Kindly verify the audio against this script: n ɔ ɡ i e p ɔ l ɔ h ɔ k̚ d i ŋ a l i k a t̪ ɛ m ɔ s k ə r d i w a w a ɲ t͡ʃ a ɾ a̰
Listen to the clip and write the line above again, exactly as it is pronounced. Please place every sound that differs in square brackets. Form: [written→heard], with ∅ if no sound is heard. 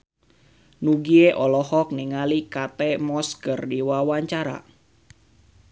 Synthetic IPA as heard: n [ɔ→u] ɡ i e [p→ʔ] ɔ l ɔ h ɔ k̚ [d→n] i ŋ a l i k a t̪ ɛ m ɔ s k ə r d i w a w a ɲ t͡ʃ a ɾ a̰